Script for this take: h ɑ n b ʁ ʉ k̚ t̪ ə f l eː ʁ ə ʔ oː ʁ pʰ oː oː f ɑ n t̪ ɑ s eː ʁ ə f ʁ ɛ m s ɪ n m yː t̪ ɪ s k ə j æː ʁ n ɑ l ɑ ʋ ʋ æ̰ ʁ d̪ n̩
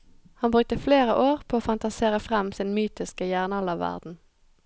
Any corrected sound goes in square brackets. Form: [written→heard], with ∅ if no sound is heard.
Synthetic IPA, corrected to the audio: h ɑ n b ʁ ʉ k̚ t̪ ə f l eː ʁ ə ʔ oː ʁ pʰ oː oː f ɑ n t̪ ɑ s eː ʁ ə f ʁ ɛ m s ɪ n m yː t̪ ɪ s k ə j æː ʁ n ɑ l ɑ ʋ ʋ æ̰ ʁ d̪ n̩